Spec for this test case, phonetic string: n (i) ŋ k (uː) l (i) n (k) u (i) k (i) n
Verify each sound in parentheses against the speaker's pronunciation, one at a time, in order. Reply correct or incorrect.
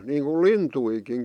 incorrect: iː, incorrect: u, correct, incorrect: t, correct, correct

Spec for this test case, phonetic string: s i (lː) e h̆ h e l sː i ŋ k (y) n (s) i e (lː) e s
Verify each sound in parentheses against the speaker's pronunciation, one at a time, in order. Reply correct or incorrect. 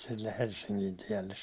correct, incorrect: i, incorrect: t, correct

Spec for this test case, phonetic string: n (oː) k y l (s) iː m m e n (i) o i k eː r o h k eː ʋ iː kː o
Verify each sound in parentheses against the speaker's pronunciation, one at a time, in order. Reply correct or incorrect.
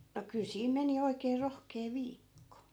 incorrect: o, correct, correct

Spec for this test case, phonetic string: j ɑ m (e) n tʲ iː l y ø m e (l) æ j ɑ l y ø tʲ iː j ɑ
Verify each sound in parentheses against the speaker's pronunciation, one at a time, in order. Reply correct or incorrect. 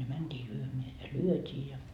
incorrect: æ, incorrect: none

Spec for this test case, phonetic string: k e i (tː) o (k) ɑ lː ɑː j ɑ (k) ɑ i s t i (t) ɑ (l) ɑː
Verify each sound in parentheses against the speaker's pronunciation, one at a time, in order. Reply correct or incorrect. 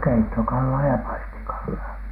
correct, correct, incorrect: p, incorrect: k, incorrect: lː

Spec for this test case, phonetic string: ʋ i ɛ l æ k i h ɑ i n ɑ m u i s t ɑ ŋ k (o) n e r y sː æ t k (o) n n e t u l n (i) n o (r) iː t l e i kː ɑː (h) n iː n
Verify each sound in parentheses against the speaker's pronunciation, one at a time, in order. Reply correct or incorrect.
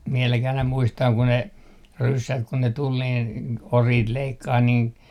incorrect: u, incorrect: u, incorrect: iː, correct, correct

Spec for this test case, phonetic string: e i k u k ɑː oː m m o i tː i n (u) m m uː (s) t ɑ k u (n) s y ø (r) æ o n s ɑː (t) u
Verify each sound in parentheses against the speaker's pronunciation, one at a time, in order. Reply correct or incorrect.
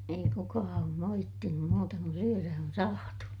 correct, incorrect: none, correct, correct, correct

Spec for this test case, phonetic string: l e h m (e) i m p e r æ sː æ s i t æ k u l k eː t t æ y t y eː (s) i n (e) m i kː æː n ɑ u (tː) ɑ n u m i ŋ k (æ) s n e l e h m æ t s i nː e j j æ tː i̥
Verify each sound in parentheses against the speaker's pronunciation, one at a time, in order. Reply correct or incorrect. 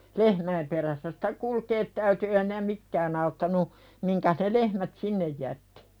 incorrect: æ, incorrect: h, incorrect: æ, correct, correct

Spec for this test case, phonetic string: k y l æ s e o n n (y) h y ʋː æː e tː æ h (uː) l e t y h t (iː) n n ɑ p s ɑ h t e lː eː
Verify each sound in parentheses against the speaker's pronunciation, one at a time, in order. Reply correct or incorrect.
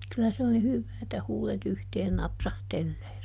incorrect: i, correct, incorrect: eː

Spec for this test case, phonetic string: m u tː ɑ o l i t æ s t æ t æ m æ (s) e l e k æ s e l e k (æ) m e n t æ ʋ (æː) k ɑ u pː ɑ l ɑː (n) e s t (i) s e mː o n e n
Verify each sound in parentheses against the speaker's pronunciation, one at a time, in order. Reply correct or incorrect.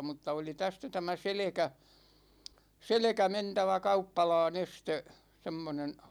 correct, correct, incorrect: æ, correct, incorrect: e

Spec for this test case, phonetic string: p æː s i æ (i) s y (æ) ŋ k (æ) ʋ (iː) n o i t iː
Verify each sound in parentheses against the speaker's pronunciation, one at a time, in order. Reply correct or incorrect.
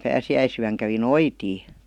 correct, correct, correct, incorrect: i

